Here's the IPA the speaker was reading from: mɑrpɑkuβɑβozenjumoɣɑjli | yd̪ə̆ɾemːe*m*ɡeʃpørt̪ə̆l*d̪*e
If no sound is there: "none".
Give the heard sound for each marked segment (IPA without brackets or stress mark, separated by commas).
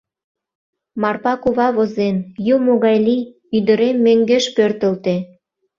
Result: ŋ, t̪